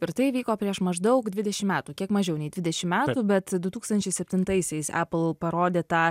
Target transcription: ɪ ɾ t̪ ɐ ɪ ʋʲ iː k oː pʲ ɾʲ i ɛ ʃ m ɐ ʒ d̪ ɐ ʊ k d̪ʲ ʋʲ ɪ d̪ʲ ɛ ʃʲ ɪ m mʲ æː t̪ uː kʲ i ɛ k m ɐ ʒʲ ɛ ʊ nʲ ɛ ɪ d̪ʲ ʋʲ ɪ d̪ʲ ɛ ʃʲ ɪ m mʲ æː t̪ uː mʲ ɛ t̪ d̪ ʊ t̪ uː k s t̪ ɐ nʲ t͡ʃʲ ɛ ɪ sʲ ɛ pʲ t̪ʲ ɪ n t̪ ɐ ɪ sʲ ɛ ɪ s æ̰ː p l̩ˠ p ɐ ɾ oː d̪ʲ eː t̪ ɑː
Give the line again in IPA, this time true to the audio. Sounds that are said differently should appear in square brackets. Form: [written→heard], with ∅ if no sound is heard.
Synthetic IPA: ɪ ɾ t̪ ɐ ɪ ʋʲ iː k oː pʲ ɾʲ i ɛ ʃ m ɐ ʒ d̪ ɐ ʊ k d̪ʲ ʋʲ ɪ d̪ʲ ɛ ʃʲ ɪ m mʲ æː t̪ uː kʲ i ɛ k m ɐ ʒʲ ɛ ʊ nʲ ɛ ɪ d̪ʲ ʋʲ ɪ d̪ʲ ɛ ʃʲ ɪ m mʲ æː t̪ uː [mʲ→bʲ] ɛ t̪ d̪ ʊ t̪ uː k s t̪ ɐ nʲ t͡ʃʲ ɛ ɪ sʲ ɛ pʲ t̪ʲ ɪ n t̪ ɐ ɪ sʲ ɛ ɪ s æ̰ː p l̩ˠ p ɐ ɾ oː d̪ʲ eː t̪ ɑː

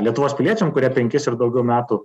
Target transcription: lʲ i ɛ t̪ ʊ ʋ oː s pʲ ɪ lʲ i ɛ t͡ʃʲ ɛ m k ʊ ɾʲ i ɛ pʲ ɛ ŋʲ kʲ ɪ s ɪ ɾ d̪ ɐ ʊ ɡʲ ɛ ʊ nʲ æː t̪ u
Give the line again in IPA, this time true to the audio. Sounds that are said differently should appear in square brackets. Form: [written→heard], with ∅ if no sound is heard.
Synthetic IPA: lʲ i ɛ t̪ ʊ ʋ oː s pʲ ɪ lʲ i ɛ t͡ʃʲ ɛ m k ʊ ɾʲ i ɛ pʲ ɛ ŋʲ kʲ ɪ s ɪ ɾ d̪ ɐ ʊ ɡʲ ɛ ʊ [nʲ→mʲ] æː t̪ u

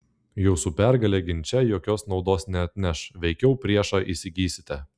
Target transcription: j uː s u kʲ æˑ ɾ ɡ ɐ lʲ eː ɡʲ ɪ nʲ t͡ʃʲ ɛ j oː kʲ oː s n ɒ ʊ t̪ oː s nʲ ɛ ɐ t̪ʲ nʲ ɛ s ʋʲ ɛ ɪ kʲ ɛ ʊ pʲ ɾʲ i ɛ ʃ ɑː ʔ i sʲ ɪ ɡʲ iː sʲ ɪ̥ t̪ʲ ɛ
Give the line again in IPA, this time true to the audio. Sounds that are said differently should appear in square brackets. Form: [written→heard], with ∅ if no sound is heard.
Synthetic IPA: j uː s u [kʲ→pʲ] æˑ ɾ ɡ ɐ lʲ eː ɡʲ ɪ nʲ t͡ʃʲ ɛ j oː kʲ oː s n ɒ ʊ [t̪→d̪] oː s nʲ ɛ ɐ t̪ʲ nʲ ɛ [s→ʃ] ʋʲ ɛ ɪ kʲ ɛ ʊ pʲ ɾʲ i ɛ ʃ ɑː ʔ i sʲ ɪ ɡʲ iː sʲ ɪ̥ t̪ʲ ɛ

